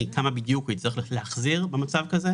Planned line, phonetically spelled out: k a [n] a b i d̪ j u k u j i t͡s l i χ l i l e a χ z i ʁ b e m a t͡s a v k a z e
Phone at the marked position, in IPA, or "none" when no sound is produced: m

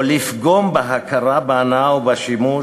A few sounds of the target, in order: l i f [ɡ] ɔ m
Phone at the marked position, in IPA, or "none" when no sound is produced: ɡ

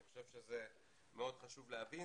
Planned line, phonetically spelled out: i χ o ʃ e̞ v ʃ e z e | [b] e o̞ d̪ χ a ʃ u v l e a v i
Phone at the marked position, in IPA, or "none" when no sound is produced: m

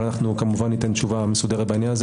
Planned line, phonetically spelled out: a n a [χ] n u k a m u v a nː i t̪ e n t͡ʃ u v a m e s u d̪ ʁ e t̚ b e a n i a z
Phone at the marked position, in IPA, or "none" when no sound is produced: χ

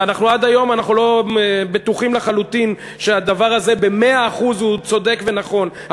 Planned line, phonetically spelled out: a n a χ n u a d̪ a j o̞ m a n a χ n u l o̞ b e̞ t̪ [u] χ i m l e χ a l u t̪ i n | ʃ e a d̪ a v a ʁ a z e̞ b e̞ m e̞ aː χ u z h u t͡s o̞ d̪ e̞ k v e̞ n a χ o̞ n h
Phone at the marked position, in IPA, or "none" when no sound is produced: u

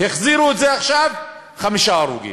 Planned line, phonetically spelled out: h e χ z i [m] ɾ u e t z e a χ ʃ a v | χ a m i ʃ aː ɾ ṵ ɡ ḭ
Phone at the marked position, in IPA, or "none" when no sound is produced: none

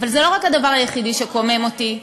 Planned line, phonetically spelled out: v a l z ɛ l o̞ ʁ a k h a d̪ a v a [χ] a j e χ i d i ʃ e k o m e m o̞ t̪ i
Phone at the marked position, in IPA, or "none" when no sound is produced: ʁ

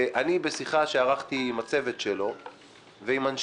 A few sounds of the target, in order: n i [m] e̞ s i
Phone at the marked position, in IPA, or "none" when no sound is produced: b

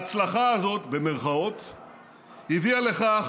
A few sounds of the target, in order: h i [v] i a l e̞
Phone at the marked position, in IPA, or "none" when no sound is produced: v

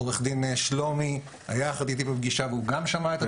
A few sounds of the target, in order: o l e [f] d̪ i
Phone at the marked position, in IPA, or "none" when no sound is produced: χ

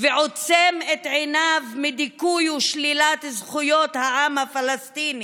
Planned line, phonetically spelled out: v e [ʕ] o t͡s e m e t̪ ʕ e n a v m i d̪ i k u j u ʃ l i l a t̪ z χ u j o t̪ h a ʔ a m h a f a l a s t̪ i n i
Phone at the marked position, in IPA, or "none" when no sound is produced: ʕ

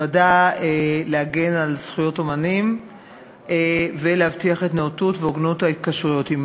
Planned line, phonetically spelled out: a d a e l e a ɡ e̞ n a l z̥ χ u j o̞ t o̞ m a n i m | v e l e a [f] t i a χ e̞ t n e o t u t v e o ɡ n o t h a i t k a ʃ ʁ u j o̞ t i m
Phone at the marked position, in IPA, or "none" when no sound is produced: v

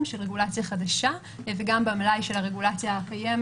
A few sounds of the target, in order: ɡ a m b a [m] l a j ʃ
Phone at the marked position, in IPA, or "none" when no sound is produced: m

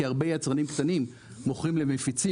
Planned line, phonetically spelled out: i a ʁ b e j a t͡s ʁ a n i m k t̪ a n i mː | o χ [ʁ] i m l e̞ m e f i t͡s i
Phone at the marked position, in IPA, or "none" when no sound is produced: ʁ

